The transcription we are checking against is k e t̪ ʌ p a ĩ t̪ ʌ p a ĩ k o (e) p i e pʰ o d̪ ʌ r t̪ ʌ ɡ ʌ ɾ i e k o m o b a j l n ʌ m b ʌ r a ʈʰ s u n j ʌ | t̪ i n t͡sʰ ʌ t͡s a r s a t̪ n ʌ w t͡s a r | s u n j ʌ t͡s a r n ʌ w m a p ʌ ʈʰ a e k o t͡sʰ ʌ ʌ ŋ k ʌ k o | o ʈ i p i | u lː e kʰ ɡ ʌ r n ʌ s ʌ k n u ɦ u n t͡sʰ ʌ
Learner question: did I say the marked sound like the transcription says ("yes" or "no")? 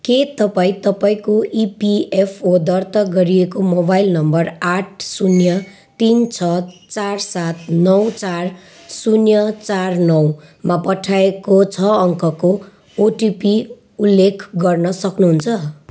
no